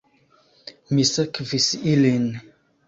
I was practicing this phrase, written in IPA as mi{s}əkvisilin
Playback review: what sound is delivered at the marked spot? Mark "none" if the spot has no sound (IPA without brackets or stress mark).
s